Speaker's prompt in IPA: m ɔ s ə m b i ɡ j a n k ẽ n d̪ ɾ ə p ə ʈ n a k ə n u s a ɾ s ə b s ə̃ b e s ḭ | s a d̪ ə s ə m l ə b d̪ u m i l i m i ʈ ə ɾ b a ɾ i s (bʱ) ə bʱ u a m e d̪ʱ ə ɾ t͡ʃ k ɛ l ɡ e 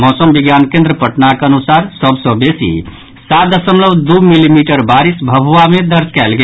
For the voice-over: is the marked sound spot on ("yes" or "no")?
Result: yes